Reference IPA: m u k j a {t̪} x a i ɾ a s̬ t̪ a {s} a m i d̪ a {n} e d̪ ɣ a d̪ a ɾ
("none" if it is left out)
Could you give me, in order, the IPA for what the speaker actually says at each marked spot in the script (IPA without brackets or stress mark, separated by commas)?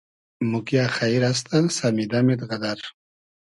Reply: none, s, m